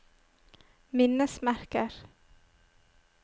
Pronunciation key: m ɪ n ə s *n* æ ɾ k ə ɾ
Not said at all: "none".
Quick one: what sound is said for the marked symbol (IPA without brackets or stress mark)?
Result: m